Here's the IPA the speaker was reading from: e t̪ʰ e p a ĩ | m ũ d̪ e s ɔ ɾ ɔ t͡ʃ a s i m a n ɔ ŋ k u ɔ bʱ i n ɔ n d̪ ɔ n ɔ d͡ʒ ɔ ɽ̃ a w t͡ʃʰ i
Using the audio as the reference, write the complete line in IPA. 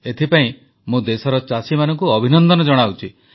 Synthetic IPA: e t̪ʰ i p a ĩ | m ũ d̪ e s ɔ ɾ ɔ t͡ʃ a s i m a n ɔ ŋ k u ɔ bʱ i n ɔ n d̪ ɔ n ɔ d͡ʒ ɔ ɽ̃ a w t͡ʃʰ i